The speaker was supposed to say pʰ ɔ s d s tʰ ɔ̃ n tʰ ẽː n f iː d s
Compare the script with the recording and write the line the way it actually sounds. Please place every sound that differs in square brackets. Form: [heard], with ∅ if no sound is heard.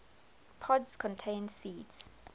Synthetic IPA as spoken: pʰ ɔ [∅] d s [kʰ] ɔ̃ n tʰ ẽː n [s] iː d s